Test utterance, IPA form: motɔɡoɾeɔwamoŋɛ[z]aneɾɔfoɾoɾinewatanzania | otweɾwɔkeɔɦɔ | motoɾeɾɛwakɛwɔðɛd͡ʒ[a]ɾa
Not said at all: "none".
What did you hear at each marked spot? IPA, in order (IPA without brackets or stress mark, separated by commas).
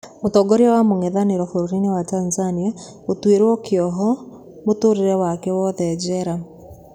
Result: ð, ɛ